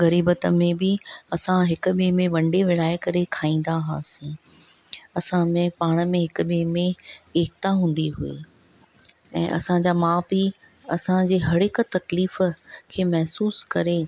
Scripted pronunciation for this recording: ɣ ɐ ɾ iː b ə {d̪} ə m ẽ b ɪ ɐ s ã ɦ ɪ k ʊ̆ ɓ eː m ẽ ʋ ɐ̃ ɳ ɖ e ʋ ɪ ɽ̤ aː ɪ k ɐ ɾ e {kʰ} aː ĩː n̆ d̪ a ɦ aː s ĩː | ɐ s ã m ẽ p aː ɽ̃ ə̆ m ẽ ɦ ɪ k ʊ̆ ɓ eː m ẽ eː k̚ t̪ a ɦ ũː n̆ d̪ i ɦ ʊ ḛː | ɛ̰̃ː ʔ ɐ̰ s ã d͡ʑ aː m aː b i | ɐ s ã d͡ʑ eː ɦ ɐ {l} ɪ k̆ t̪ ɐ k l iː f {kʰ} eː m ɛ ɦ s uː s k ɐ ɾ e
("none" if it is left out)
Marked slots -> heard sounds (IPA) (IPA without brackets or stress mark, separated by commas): t̪, kʰ, ɽ, kʰ